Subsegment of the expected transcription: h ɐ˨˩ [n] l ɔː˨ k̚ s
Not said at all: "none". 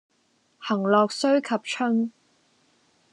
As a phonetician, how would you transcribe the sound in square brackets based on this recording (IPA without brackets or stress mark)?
ŋ